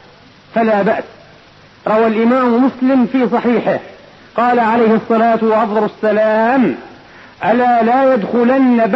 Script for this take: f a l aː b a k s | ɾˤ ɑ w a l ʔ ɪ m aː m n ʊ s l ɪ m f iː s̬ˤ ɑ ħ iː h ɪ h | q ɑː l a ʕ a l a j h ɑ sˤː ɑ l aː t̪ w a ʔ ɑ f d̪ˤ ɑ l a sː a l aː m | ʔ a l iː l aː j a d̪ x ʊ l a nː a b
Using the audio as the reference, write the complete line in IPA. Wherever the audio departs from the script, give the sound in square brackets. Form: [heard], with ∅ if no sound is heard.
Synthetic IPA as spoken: f a l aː b a [ʔ] s | ɾˤ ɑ w a l ʔ ɪ m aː m [m] ʊ s l ɪ m f iː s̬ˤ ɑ ħ iː [ħ] ɪ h | q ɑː l a ʕ a l a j h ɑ sˤː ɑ l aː t̪ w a ʔ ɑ f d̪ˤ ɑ l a sː a l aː m | ʔ a l [aː] l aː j a d̪ x ʊ l a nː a b